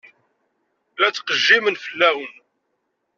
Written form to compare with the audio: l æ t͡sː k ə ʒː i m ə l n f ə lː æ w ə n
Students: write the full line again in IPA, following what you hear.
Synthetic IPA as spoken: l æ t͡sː q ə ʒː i m ə n f ə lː æ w ə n

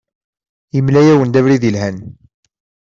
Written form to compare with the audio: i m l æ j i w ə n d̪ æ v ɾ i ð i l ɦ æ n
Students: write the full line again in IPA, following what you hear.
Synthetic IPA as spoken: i m l æ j æ w ə n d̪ æ v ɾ i ð i l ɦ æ n

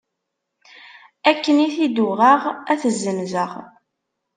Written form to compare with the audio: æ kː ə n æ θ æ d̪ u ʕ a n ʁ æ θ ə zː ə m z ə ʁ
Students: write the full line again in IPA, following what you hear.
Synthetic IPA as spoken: æ kː ə n i θ i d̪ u ʁ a ʁ æ θ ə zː ə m z ə ʁ

